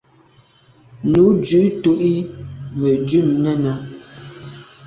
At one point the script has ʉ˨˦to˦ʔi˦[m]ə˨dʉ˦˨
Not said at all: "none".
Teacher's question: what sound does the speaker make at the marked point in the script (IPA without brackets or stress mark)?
m